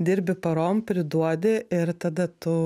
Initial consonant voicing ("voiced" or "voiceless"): voiced